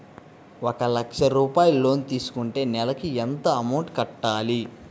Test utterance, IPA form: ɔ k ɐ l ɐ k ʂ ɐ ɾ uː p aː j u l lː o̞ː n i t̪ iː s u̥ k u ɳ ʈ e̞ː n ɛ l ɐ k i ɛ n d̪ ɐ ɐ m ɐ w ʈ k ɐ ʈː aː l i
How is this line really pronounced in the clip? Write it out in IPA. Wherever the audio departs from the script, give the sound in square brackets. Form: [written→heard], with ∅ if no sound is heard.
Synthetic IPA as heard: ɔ k ɐ l ɐ k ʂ ɐ ɾ uː p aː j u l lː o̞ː n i t̪ iː s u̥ k u ɳ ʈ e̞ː n ɛ l ɐ k i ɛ n [d̪→t̪] ɐ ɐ m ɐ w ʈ k ɐ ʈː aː l i